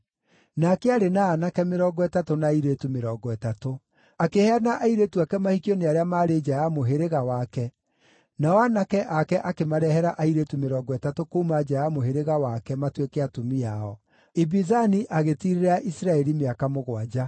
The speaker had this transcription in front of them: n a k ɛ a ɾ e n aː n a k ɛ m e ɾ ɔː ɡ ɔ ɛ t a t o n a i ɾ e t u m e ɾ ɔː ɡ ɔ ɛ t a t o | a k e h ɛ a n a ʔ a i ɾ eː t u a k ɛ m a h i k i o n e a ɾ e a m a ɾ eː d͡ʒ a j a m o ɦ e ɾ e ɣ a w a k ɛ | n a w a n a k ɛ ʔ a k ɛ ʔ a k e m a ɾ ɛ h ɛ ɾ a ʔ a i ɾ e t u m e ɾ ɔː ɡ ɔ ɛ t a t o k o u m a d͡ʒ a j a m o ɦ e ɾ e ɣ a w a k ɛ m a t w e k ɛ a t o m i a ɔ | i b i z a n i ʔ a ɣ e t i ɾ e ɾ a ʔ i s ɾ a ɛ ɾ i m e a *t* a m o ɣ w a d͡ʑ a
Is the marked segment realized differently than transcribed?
yes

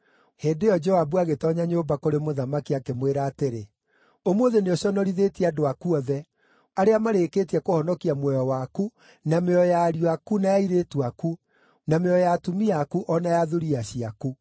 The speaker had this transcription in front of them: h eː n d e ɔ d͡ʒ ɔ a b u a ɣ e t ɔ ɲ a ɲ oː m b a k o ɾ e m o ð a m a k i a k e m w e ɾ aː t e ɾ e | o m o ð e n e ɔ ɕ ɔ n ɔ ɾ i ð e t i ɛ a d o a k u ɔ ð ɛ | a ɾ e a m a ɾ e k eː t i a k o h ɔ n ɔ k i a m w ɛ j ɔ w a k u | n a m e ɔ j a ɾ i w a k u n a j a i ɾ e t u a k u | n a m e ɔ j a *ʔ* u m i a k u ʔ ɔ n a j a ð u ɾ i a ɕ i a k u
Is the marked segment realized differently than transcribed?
yes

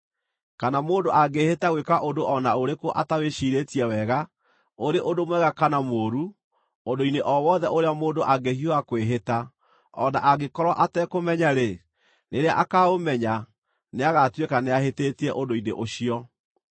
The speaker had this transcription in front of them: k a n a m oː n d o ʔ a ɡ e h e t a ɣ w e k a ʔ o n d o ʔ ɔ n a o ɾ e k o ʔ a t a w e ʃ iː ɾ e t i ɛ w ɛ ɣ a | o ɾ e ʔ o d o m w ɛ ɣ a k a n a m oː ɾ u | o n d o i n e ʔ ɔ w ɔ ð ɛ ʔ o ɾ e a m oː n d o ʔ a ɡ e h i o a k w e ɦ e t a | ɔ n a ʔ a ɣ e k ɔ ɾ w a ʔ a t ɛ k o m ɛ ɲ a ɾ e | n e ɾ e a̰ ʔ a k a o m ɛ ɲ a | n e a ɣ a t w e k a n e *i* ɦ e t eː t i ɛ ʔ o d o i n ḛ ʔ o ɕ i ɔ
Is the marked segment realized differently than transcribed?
yes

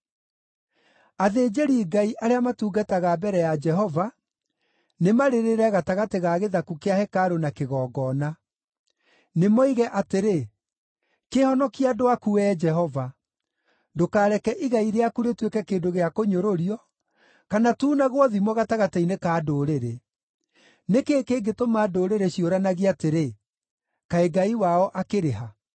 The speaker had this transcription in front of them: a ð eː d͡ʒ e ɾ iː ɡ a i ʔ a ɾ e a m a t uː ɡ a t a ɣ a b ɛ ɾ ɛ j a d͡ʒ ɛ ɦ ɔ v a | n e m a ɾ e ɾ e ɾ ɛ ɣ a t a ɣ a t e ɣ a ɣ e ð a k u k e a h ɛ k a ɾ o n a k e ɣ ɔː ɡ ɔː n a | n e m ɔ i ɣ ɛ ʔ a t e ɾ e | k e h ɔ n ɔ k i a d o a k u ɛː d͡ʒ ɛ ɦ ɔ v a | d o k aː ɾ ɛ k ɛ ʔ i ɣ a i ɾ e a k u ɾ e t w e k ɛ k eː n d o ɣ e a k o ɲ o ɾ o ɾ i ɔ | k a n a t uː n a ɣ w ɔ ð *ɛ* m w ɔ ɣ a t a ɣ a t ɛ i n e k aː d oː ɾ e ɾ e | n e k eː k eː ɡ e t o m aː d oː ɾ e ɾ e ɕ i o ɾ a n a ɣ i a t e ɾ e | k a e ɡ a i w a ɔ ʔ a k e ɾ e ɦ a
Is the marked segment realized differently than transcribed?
yes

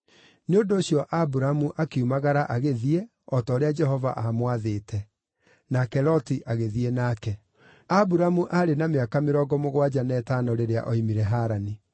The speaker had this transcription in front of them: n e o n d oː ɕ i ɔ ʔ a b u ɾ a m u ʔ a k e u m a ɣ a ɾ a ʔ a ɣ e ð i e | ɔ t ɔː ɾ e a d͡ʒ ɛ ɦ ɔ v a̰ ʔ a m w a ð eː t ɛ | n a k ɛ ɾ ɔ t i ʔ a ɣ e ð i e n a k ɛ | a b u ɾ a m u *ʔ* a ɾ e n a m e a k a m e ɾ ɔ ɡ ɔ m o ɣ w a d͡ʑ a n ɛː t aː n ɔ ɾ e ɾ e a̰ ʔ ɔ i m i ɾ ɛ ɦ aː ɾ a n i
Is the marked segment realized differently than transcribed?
no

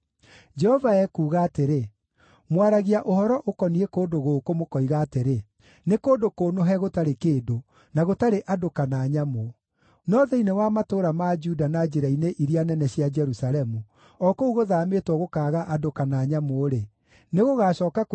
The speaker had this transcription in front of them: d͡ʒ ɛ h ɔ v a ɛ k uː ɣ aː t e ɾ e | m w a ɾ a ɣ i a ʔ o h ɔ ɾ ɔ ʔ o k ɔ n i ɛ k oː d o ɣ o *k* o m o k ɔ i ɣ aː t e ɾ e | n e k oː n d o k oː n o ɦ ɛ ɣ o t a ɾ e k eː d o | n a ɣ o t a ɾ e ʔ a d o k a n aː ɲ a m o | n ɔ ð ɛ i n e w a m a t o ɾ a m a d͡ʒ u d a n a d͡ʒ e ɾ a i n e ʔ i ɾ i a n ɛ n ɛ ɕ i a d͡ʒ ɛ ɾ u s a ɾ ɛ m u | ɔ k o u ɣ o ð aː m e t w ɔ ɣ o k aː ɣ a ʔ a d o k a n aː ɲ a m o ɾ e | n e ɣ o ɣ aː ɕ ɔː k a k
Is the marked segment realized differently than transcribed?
no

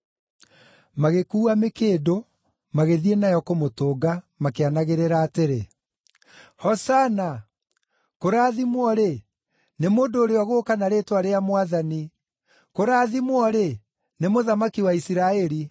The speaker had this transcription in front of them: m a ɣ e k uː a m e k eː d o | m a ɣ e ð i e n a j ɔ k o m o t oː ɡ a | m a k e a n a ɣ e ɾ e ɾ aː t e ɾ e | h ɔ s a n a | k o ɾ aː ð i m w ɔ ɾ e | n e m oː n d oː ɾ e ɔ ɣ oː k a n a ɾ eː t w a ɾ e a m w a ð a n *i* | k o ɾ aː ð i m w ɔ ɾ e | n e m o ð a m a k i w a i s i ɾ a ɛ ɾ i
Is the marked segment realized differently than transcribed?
no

